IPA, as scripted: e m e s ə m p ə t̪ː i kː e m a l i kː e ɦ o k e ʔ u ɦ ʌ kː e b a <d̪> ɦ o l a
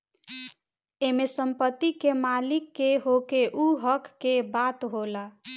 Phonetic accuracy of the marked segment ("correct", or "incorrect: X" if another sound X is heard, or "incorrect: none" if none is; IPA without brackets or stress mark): incorrect: t̪